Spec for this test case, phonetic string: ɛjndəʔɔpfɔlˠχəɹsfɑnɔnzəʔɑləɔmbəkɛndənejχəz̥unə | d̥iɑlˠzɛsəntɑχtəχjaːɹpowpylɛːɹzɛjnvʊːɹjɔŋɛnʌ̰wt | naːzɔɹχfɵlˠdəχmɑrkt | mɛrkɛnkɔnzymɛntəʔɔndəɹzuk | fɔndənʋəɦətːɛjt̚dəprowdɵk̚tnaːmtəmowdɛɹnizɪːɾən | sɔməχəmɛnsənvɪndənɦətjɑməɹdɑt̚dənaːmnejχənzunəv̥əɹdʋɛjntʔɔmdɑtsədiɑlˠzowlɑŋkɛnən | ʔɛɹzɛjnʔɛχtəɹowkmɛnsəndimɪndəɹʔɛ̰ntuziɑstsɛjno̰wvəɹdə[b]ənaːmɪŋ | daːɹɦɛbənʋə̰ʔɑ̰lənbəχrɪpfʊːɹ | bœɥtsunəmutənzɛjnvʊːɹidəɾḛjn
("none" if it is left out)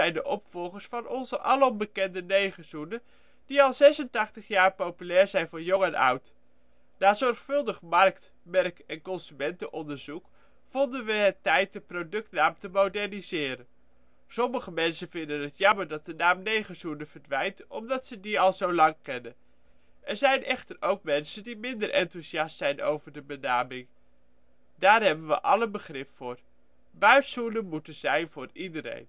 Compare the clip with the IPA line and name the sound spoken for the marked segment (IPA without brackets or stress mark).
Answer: b